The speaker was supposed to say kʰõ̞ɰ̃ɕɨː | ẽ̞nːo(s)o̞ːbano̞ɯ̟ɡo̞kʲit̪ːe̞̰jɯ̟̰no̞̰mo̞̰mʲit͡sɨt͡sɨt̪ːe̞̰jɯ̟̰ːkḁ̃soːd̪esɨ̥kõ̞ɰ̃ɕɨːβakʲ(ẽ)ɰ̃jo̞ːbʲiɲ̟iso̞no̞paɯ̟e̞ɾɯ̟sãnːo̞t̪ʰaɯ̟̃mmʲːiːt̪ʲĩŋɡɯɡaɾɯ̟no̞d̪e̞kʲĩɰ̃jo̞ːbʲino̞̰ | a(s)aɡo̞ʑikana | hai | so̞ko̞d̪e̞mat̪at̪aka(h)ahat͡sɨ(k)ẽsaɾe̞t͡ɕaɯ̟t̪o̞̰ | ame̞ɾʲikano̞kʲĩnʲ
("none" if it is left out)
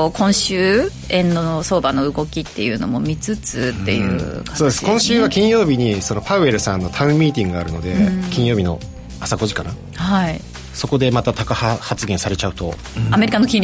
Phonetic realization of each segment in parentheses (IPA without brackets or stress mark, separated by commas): s, ĩ, s, h, ɡ